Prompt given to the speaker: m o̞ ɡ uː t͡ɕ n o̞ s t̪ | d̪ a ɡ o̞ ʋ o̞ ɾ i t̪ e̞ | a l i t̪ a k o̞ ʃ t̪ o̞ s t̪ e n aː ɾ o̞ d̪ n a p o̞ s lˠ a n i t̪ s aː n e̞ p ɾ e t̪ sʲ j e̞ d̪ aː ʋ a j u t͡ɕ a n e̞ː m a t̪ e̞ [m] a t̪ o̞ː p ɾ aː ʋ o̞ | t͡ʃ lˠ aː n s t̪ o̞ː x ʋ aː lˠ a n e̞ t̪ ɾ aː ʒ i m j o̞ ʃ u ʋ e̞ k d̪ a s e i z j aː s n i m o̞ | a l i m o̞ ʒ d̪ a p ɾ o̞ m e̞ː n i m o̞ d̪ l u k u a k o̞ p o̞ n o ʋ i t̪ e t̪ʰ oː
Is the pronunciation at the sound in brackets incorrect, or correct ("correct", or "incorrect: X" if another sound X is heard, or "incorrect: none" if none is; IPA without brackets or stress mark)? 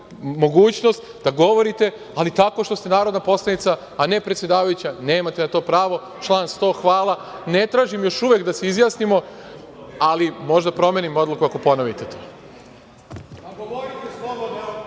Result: incorrect: n